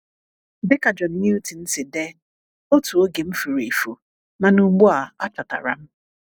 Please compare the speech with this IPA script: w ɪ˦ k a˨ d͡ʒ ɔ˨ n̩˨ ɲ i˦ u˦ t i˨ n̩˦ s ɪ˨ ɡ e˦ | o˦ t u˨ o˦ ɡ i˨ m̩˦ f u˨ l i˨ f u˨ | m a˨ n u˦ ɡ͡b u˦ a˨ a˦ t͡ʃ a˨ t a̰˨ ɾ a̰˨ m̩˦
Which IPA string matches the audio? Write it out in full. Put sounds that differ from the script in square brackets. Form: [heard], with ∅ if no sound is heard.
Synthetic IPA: [b] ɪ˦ k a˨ d͡ʒ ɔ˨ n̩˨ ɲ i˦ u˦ t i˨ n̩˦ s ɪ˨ [d] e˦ | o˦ t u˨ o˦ ɡ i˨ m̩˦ f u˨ [ɾ] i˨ f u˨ | [n] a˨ n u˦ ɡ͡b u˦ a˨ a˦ t͡ʃ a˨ t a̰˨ ɾ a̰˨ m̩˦